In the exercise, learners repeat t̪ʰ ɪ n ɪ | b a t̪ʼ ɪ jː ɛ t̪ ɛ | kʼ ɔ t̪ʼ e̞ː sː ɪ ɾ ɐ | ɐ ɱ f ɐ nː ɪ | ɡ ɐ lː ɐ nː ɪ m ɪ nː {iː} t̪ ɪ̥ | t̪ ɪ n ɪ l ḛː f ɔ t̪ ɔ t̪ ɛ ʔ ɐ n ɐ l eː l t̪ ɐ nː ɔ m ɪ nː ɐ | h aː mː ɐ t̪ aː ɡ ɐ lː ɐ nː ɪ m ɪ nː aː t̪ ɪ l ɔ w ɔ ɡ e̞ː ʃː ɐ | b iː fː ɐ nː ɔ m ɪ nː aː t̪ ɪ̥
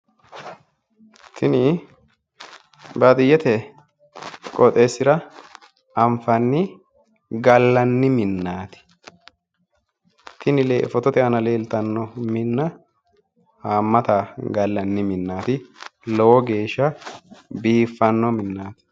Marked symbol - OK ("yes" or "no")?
no